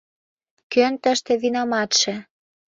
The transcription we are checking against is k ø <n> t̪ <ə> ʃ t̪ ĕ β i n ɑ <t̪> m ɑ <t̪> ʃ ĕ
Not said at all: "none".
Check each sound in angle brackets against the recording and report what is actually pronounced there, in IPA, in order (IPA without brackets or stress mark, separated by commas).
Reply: n, ə, none, t̪